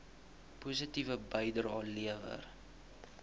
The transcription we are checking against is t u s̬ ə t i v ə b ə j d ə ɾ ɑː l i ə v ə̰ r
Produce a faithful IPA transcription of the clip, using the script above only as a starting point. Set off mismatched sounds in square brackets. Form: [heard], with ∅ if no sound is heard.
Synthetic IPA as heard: [p] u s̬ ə t i v ə b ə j d ə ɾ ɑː l i ə v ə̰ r